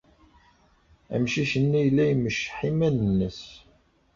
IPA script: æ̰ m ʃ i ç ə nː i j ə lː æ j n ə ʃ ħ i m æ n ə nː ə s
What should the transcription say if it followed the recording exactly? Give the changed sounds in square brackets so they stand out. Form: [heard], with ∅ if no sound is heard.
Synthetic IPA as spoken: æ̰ m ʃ i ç ə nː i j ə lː æ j [m] ə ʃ ħ i m æ n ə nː ə s